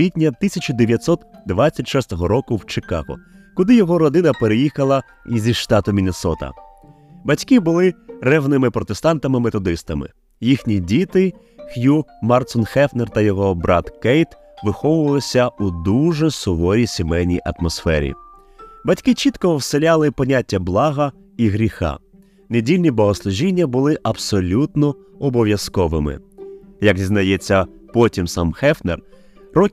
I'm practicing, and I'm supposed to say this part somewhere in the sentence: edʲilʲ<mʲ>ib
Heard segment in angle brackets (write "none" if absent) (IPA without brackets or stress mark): nʲ